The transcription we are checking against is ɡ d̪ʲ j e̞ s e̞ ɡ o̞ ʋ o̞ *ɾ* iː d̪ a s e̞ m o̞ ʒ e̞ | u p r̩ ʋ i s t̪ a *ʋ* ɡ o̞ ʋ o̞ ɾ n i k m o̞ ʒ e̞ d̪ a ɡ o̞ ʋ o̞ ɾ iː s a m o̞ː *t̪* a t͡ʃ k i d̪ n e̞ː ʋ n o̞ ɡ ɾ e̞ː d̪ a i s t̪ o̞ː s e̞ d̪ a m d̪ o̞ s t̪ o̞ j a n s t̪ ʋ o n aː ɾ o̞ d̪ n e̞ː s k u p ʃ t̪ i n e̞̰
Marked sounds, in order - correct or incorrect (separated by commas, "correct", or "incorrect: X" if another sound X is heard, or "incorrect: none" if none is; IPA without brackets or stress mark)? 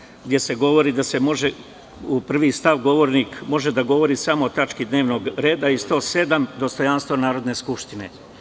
correct, correct, correct